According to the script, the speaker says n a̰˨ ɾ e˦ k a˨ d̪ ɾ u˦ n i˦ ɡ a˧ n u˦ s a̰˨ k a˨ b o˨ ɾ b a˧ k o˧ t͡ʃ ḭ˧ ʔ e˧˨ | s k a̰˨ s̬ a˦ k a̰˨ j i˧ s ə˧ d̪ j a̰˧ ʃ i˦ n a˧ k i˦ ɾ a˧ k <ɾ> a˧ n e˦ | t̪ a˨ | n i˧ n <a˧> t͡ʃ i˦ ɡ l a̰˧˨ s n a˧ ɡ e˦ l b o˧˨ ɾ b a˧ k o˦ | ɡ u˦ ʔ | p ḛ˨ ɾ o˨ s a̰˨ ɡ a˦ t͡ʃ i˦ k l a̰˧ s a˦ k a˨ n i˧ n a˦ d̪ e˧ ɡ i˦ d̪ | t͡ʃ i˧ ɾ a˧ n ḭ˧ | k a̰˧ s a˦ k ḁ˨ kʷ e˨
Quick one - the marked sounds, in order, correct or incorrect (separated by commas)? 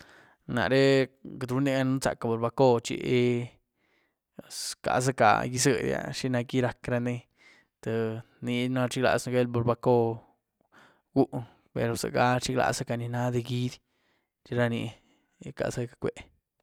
correct, correct